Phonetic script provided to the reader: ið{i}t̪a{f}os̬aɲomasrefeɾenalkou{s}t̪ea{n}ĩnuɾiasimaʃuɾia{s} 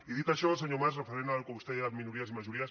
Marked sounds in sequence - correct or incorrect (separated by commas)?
correct, incorrect, correct, incorrect, correct